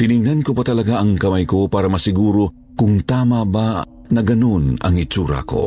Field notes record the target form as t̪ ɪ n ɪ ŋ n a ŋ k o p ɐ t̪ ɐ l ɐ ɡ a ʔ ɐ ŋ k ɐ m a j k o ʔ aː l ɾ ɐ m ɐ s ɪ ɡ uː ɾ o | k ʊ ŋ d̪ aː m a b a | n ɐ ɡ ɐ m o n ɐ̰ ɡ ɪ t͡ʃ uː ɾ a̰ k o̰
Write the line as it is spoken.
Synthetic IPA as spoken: t̪ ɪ n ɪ ŋ n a n k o p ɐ t̪ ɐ l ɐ ɡ a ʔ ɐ ŋ k ɐ m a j k o p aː ɾ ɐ m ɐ s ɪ ɡ uː ɾ o | k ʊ ŋ t̪ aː m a b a | n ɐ ɡ ɐ n o n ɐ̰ ŋ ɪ t͡ʃ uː ɾ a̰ k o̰